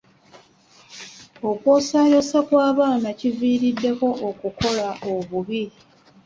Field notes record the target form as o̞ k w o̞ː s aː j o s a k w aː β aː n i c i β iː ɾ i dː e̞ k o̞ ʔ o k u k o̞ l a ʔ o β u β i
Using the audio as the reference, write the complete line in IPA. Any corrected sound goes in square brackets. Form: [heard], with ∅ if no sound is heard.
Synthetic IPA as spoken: o̞ k w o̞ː s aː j o s a k w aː β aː n [a] c i [v] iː ɾ i dː e̞ k o̞ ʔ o k u k o̞ l a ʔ o β u β i